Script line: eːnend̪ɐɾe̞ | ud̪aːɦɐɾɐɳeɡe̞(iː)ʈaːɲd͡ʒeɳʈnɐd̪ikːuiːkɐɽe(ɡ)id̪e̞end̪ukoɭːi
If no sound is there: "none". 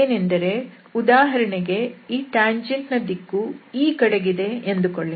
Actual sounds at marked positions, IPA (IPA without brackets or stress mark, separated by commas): iː, ɡ